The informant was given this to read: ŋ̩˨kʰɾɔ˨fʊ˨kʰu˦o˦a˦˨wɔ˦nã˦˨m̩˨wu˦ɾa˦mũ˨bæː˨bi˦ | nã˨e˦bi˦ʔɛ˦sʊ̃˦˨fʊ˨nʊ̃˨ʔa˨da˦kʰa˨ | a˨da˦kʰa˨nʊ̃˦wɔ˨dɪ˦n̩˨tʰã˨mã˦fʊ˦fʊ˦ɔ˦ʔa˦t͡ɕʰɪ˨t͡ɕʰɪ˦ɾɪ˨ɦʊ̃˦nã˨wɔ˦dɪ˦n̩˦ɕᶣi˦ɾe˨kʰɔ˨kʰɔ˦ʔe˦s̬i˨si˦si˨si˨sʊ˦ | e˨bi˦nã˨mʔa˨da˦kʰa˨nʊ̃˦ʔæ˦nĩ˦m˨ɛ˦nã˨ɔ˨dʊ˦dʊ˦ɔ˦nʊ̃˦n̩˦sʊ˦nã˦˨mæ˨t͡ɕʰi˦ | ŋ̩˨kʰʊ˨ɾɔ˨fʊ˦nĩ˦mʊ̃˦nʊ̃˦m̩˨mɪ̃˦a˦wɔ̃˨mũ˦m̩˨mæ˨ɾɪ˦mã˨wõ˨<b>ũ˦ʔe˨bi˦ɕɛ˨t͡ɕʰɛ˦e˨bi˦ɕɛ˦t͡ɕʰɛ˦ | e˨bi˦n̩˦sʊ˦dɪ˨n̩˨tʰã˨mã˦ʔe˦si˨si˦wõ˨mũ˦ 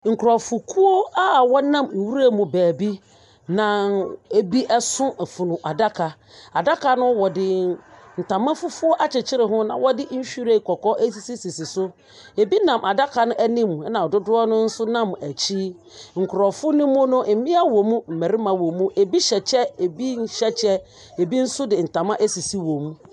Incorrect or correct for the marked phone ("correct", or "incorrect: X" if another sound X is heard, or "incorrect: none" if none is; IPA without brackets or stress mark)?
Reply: incorrect: m